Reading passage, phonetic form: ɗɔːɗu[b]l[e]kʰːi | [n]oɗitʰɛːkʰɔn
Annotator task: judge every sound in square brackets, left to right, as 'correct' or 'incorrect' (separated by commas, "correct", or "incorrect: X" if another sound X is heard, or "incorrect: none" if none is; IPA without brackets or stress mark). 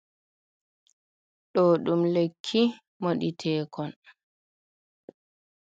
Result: incorrect: m, correct, incorrect: m